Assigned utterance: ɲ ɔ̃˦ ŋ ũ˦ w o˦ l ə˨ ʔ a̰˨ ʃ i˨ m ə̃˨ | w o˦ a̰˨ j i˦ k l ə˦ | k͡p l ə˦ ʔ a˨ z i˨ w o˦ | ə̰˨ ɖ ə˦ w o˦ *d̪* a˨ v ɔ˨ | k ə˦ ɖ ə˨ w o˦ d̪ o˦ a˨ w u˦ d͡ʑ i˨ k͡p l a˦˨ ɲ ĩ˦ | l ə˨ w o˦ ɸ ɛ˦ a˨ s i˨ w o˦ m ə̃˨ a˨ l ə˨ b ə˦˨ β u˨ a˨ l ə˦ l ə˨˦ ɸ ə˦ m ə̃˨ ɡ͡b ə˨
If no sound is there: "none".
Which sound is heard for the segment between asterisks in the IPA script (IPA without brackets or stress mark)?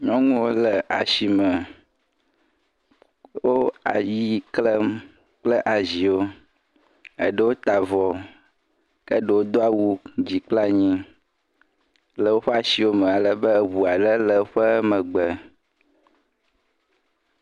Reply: t̪